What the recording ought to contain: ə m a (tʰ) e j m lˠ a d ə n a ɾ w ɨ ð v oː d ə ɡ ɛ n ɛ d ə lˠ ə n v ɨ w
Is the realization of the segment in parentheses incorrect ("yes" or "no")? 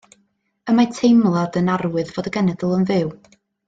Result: no